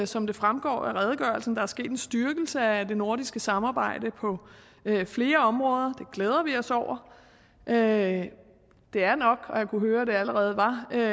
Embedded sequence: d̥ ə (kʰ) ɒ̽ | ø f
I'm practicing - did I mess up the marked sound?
yes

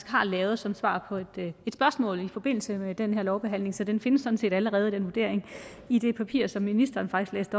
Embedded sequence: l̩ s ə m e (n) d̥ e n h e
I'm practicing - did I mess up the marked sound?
yes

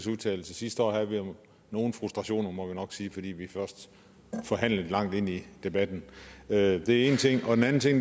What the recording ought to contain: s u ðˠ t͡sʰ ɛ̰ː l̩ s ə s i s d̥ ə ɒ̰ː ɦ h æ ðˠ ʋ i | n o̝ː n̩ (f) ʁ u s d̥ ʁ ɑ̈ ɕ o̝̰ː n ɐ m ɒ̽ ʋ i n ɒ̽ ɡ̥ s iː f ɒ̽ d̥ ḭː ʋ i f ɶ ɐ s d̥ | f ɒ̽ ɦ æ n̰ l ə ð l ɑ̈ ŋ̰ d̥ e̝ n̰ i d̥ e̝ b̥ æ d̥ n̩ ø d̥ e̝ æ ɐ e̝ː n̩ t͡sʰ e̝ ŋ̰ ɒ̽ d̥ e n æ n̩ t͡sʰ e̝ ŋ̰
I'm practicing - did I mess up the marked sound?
no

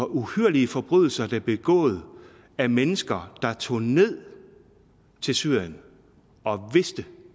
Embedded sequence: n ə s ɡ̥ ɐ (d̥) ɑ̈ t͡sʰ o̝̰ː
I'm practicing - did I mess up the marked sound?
no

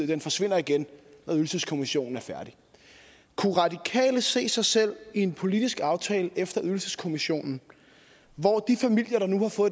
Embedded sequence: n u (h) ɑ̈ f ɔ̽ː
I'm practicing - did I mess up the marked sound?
no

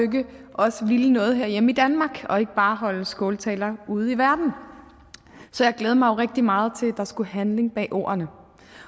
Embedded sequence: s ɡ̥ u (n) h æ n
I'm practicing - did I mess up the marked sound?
yes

